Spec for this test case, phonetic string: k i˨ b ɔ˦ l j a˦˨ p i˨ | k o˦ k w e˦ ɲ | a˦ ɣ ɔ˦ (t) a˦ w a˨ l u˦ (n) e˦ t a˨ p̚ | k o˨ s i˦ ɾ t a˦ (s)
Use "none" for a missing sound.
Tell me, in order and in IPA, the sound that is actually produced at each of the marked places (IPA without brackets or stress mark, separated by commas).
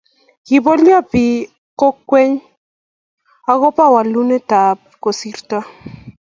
p, n, none